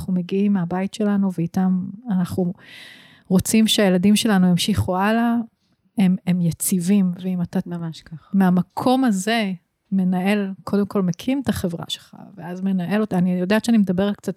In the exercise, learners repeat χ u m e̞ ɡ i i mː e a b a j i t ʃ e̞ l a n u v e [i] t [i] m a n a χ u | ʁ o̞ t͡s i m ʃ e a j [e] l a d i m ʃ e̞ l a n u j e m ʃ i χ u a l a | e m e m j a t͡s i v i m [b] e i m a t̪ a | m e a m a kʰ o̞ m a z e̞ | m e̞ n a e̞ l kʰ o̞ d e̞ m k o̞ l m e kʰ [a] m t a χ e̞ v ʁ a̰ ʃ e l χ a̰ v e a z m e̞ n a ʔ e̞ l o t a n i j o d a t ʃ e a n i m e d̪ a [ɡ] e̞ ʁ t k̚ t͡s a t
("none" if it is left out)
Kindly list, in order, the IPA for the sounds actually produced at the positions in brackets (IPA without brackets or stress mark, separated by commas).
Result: i, a, e, v, i, b